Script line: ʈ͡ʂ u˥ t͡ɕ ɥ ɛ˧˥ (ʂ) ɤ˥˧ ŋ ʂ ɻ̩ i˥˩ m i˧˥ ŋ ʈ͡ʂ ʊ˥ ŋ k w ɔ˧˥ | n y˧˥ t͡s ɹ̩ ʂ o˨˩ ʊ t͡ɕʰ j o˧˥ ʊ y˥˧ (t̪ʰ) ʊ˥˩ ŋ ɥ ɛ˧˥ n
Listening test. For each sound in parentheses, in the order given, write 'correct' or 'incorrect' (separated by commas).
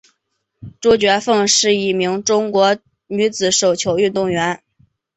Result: incorrect, incorrect